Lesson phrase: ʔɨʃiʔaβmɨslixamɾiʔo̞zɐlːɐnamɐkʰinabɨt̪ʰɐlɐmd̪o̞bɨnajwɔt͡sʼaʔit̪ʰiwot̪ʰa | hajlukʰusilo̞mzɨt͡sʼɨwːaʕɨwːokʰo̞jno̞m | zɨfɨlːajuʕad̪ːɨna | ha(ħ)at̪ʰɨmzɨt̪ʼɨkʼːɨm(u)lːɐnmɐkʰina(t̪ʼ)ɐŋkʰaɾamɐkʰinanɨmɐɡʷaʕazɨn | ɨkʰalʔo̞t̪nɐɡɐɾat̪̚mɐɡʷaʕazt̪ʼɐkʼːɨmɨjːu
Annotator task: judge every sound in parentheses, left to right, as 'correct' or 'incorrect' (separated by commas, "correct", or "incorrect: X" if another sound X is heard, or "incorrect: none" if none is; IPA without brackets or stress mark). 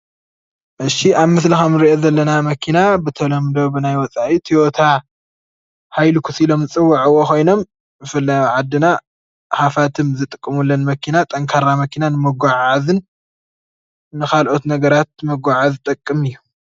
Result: incorrect: f, correct, correct